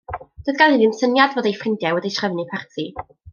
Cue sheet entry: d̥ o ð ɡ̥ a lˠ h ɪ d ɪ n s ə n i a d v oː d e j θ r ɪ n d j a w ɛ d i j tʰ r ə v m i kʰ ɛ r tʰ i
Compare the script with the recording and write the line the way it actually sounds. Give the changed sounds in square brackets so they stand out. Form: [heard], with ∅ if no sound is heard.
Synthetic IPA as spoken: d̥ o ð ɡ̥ a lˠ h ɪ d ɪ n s ə n [j] a d v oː d e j [f] r ɪ n d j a w ɛ d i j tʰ r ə v [n] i [pʰ] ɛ r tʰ i